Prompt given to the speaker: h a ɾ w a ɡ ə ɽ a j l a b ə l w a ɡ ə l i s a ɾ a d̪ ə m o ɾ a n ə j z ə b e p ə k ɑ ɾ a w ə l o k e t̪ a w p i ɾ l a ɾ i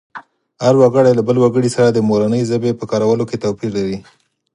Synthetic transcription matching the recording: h a ɾ w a ɡ ə ɽ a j l a b ə l w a ɡ ə ɽ i s a ɾ a d̪ ə m o ɾ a n ə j z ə b e p ə k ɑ ɾ a w ə l o k e t̪ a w p i ɾ l a ɾ i